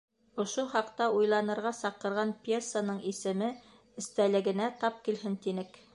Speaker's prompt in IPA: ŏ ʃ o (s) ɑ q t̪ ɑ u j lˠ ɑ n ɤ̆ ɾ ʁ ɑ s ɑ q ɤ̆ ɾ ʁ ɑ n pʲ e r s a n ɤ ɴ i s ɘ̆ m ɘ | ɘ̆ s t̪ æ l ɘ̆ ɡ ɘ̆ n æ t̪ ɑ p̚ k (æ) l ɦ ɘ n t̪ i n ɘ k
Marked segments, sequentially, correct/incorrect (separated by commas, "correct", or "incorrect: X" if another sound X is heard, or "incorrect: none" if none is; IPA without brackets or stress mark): incorrect: χ, incorrect: i